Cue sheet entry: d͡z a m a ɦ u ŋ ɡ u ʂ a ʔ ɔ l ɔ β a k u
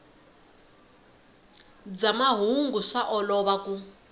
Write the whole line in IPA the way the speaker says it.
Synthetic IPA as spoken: d͡z a m a ɦ u ŋ ɡ u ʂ a ʔ ɔ l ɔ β a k u